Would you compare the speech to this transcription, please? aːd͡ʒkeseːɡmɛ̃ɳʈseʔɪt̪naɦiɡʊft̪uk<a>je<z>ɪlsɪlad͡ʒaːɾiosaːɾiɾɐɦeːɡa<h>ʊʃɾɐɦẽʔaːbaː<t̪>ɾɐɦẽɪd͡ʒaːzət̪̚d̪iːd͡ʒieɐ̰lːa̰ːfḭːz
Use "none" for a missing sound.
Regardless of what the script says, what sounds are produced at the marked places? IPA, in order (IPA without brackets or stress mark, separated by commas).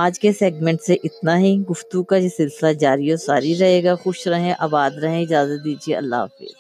a, s, x, d̪